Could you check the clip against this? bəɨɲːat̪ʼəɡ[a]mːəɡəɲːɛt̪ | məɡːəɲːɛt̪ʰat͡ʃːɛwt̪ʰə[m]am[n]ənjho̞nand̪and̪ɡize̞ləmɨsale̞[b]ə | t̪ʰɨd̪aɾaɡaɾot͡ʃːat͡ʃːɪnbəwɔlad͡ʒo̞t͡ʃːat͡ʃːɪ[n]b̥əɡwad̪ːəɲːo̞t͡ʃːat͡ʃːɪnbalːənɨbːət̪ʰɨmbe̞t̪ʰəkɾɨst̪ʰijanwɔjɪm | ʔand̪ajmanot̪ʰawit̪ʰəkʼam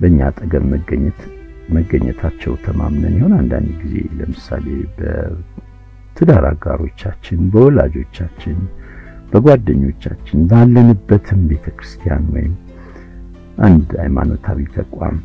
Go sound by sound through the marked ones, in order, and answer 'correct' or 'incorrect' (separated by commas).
incorrect, correct, correct, correct, correct